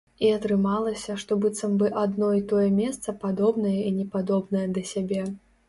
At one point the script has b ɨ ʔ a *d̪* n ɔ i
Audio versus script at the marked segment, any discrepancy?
no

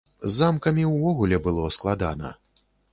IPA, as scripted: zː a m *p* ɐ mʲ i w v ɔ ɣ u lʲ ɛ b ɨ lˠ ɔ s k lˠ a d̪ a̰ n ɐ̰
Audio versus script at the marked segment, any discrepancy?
yes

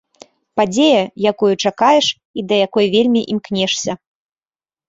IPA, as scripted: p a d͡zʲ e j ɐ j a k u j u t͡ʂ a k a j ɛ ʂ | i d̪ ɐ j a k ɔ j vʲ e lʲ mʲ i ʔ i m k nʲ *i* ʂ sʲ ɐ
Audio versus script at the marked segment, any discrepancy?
yes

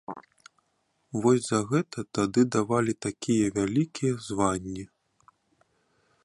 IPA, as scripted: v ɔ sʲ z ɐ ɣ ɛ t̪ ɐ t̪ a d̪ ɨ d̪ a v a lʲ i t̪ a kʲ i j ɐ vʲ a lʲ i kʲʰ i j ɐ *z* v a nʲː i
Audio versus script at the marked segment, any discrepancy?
no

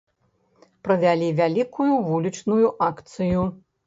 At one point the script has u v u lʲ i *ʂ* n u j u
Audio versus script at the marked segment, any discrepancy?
yes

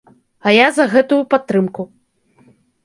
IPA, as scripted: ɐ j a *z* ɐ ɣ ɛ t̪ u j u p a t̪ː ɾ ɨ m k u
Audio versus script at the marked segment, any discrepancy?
no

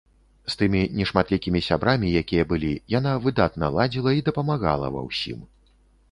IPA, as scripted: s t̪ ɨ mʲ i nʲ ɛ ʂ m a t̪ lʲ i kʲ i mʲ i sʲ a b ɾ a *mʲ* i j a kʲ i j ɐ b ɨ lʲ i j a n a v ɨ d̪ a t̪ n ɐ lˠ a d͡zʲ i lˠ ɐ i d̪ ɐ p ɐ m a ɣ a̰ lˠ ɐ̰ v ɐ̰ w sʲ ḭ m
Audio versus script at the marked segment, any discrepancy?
no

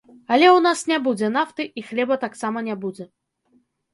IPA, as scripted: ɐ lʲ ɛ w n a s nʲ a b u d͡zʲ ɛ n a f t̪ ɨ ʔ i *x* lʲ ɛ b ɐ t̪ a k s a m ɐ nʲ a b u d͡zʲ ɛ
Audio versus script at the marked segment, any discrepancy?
no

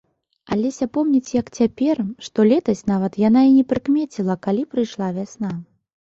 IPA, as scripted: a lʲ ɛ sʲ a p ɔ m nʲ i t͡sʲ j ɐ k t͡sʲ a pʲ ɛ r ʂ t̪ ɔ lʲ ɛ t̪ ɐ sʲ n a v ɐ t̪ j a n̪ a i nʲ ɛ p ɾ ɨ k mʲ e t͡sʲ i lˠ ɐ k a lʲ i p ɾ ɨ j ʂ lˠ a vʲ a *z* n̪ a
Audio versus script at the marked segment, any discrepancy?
yes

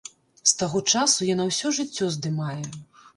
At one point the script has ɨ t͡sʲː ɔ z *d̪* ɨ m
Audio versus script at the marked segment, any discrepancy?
no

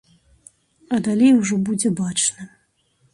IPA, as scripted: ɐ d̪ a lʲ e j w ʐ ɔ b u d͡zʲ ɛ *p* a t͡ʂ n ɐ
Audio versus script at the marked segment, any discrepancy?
yes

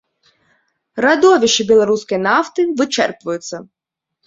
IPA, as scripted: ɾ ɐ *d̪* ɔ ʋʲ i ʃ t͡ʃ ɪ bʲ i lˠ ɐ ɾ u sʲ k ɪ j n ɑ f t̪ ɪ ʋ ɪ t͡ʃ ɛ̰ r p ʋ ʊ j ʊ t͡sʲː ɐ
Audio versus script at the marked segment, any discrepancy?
no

